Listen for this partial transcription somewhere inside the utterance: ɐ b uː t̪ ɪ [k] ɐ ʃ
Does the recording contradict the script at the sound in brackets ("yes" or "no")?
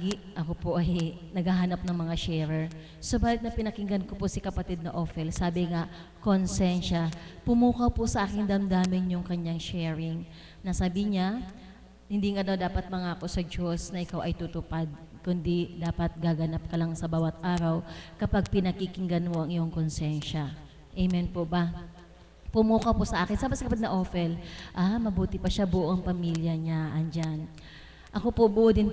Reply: yes